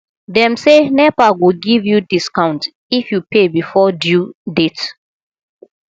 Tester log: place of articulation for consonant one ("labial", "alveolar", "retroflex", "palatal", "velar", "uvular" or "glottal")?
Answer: alveolar